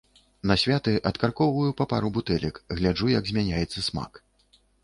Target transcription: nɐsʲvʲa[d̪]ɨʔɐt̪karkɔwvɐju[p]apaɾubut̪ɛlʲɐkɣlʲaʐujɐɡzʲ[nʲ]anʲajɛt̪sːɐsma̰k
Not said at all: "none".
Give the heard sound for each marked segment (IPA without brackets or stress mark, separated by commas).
t̪, p, mʲ